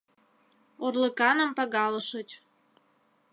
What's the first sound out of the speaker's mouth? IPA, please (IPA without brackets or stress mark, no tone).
o